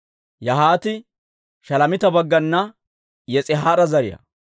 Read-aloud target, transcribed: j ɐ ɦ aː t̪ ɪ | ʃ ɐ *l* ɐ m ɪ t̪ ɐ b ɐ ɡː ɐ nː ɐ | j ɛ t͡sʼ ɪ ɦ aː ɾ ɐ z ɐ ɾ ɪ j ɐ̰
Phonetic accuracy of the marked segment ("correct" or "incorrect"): correct